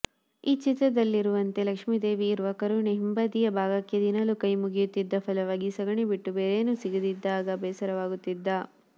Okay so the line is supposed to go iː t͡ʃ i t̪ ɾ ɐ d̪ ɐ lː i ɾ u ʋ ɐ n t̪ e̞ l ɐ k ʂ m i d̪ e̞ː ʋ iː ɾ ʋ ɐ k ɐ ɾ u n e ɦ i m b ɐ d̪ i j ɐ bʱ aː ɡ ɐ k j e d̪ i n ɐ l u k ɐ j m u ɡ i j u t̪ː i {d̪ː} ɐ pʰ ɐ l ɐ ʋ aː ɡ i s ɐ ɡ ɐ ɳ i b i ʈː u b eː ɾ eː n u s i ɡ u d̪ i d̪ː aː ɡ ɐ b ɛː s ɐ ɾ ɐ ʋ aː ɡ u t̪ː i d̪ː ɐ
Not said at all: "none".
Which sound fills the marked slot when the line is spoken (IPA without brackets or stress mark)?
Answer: d̪ː